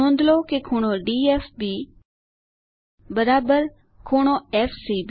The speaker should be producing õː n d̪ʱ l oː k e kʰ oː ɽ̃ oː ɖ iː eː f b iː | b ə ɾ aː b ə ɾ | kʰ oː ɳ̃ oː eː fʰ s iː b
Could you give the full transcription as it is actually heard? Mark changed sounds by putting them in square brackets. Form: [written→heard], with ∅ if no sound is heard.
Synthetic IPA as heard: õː n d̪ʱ l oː k e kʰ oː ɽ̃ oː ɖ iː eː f b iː | b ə ɾ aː b ə ɾ | kʰ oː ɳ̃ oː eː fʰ s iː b